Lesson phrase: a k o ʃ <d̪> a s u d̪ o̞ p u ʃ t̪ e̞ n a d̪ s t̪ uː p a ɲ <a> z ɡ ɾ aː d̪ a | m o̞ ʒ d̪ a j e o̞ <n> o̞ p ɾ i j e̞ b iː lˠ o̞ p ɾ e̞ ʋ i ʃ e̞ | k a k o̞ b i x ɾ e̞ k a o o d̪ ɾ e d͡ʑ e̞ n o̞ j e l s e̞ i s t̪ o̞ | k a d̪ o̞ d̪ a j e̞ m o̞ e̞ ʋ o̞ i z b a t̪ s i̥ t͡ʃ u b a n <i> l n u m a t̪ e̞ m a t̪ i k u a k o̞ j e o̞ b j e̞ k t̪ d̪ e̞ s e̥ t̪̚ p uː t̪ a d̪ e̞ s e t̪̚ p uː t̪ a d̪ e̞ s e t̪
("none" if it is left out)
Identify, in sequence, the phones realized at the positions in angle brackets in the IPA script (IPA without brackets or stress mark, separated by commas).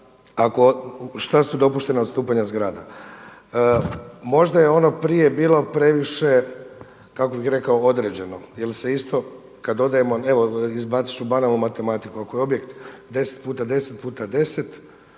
t̪, a, n, a